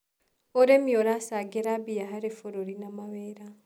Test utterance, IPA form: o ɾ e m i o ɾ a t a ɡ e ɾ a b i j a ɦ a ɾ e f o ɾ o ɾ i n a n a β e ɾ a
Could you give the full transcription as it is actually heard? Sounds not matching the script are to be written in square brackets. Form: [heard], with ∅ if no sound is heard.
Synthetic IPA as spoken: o ɾ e m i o ɾ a [s] a ɡ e ɾ a b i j a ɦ a ɾ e f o ɾ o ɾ i n a [m] a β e ɾ a